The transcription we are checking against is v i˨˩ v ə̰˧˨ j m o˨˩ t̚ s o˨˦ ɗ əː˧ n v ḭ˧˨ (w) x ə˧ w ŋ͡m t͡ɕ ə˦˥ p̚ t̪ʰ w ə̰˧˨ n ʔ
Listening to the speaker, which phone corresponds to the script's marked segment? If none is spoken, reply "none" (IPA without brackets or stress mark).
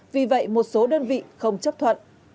none